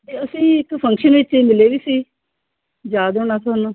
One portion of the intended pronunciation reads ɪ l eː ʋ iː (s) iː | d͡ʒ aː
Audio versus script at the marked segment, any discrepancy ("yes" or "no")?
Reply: no